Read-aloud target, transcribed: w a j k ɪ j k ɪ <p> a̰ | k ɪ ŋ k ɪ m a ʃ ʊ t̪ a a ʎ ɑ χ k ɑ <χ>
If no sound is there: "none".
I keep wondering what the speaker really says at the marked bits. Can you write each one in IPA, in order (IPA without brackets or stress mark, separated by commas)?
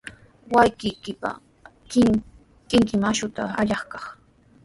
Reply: p, χ